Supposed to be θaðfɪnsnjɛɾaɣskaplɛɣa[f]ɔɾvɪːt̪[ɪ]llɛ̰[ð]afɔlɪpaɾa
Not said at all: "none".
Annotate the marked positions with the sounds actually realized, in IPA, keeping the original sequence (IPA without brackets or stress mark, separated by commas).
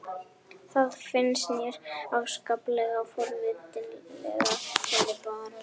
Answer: f, ɪ, ɣ